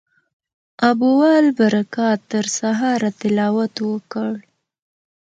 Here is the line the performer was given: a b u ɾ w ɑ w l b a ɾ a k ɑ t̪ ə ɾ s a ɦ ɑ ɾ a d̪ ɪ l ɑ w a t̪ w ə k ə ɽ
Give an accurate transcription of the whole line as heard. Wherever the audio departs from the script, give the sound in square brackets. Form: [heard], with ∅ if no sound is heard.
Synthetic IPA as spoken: a b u [∅] w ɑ [∅] l b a ɾ a k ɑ t̪ ə ɾ s a ɦ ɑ ɾ a [t̪] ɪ l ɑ w a t̪ w ə k ə ɽ